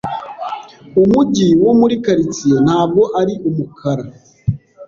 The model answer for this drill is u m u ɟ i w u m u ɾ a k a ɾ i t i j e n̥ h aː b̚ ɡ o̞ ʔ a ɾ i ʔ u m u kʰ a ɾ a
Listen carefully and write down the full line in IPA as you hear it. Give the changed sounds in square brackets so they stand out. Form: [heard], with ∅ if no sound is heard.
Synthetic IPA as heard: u m u ɟ i w [o] m u ɾ [i] k a ɾ i [t͡s] i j e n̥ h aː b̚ ɡ o̞ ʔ a ɾ i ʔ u m u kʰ a ɾ a